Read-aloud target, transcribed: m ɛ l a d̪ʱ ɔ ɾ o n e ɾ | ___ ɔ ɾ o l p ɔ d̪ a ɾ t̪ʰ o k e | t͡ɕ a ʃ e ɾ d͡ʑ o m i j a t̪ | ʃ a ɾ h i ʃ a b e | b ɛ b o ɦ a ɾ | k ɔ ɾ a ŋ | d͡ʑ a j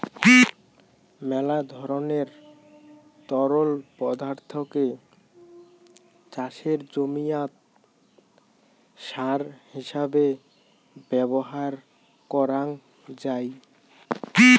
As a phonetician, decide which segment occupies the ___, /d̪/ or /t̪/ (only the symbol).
t̪